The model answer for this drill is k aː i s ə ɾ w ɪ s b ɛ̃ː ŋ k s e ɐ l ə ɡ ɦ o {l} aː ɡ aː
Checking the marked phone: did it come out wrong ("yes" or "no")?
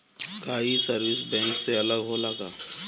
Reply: no